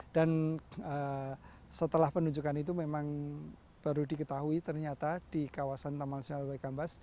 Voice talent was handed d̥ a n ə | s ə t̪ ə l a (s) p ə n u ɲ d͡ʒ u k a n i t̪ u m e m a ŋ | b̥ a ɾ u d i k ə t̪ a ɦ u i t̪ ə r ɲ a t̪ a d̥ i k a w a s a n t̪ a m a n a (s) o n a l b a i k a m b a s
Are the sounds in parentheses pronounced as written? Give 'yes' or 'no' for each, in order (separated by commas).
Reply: no, yes